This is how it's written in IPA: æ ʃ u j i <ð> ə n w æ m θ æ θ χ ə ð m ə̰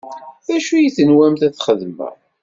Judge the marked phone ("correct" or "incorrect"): incorrect